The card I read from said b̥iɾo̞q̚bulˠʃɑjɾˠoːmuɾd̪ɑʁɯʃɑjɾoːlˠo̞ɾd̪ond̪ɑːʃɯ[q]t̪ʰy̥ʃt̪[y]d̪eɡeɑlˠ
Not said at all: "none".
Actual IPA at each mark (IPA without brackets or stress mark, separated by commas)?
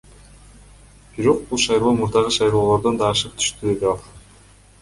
q, y